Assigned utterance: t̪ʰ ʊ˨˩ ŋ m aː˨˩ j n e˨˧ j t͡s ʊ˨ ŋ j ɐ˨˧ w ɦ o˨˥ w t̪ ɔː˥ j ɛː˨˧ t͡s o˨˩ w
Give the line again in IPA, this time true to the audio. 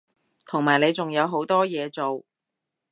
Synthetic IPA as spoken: t̪ʰ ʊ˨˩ ŋ m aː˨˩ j n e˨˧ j t͡s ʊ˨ ŋ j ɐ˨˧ w ɦ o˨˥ w t̪ ɔː˥ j ɛː˨˧ t͡s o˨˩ w

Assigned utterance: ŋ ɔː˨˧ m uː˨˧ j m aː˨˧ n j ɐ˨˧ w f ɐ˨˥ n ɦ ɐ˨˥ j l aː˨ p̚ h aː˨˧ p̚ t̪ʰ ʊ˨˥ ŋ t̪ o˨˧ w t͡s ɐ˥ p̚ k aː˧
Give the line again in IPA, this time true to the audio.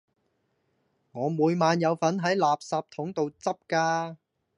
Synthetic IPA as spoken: ŋ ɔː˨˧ m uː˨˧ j m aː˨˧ n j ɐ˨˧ w f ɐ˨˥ n ɦ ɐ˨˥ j l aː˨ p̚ s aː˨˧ p̚ t̪ʰ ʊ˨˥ ŋ t̪ o˨˧ w t͡s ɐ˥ p̚ k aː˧

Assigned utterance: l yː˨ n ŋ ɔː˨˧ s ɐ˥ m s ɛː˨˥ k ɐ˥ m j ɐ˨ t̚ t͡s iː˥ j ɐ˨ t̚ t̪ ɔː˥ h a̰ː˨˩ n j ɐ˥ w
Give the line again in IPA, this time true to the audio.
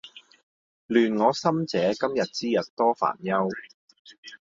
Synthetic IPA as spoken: l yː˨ n ŋ ɔː˨˧ s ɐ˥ m t͡s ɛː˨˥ k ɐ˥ m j ɐ˨ t̚ t͡s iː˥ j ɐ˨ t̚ t̪ ɔː˥ f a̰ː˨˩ n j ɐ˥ w

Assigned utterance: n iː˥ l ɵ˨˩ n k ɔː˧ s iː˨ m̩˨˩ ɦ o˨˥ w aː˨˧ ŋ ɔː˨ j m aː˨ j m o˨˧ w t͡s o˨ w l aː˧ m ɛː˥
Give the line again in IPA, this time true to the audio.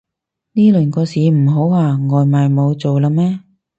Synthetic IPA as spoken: n iː˥ l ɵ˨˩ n k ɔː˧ s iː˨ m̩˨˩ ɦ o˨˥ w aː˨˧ ŋ ɔː˨ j m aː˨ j m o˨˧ w t͡s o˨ w l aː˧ m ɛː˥

